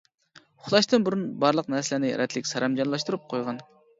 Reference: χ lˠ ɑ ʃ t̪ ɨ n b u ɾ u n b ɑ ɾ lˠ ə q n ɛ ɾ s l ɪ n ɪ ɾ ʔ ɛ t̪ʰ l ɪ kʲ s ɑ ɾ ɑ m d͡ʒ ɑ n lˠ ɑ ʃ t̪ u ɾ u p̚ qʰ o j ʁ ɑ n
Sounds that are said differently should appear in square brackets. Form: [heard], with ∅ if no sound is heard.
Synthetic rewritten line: χ lˠ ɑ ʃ t̪ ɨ n b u ɾ u n b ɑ ɾ lˠ ə q n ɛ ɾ s l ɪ n ɪ ɾ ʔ ɛ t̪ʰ l ɪ kʲ s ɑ ɾ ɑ m d͡ʒ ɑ n lˠ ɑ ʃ t̪ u ɾ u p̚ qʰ o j ʁ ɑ n